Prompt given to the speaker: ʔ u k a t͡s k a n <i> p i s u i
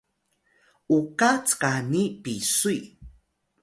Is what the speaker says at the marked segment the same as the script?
yes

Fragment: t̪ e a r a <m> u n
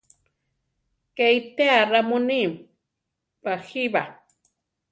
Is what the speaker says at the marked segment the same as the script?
yes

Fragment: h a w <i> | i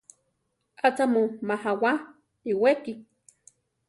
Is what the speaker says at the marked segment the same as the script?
no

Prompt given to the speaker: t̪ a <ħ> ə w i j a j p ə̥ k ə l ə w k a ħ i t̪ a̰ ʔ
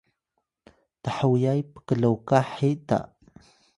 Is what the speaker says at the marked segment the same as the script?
yes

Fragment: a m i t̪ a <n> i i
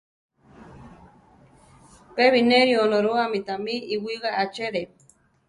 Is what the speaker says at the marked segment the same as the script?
no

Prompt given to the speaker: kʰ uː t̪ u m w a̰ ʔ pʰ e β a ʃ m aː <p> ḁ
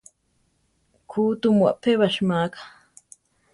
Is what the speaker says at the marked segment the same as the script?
no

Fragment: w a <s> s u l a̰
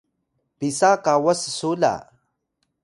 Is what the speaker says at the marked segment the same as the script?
yes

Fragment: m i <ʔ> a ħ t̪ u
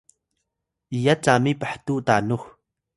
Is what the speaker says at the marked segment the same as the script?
no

